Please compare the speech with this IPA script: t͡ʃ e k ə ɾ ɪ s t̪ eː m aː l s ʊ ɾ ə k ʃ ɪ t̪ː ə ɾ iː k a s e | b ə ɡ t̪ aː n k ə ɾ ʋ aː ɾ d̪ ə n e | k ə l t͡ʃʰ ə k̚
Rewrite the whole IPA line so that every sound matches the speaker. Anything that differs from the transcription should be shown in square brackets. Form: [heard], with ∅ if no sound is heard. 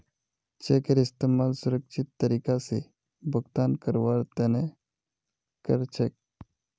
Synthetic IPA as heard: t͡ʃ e k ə ɾ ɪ s t̪ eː m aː l s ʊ ɾ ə k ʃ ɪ t̪ː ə ɾ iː k a s e | b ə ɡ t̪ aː n k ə ɾ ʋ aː ɾ [t̪] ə n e | k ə [ɾ] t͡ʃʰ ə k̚